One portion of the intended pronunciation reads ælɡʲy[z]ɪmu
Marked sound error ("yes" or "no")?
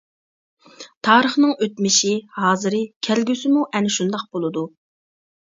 yes